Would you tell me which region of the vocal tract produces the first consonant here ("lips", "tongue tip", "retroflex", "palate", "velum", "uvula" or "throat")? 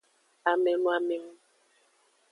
lips